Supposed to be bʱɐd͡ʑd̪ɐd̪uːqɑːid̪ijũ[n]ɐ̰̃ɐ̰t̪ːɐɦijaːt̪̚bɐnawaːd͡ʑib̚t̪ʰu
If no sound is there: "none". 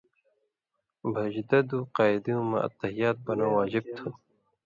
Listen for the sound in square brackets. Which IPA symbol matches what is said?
m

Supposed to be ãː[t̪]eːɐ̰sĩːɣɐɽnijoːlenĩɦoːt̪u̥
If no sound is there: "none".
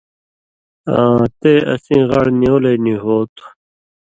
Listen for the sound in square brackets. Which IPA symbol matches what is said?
t̪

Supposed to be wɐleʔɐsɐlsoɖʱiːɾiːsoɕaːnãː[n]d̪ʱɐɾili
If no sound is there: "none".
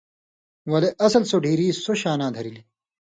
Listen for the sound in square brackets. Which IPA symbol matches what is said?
none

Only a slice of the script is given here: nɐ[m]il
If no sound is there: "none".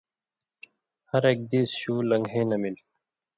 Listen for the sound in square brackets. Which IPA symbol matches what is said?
m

